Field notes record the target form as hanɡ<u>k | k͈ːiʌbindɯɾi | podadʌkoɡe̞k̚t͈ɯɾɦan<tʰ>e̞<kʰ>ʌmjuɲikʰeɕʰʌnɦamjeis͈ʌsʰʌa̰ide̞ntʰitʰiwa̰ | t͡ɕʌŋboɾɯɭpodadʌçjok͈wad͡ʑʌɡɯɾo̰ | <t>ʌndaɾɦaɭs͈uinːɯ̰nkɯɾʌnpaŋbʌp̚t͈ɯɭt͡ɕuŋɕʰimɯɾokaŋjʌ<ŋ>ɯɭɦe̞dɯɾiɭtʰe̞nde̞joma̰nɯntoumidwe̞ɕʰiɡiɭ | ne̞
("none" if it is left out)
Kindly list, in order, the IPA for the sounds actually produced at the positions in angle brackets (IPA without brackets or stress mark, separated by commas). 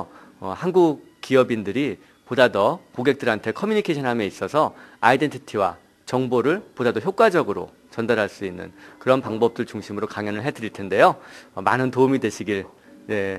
u, tʰ, kʰ, t͡ɕ, n